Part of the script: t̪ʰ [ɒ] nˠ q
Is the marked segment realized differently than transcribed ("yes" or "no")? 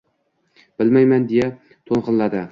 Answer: yes